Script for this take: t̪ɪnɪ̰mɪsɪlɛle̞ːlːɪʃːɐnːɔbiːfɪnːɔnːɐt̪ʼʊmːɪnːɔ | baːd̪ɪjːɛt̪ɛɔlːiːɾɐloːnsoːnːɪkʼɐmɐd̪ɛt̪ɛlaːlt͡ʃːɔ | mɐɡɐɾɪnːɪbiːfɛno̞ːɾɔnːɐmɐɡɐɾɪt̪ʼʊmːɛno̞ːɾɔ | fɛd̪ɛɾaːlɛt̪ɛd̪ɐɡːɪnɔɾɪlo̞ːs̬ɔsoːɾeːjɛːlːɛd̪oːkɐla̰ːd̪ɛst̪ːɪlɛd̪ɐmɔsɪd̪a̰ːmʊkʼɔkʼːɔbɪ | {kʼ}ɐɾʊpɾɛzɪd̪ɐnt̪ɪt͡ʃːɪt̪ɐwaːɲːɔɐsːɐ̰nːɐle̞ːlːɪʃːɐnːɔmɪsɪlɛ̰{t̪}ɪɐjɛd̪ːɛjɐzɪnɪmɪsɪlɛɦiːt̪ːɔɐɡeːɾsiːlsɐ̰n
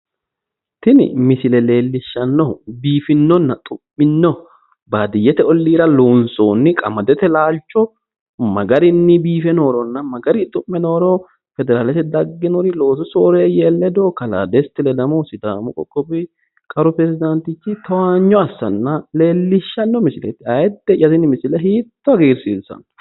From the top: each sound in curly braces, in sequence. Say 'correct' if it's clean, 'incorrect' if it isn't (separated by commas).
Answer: correct, correct